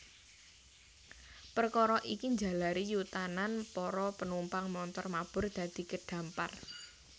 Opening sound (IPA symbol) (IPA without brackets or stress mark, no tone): p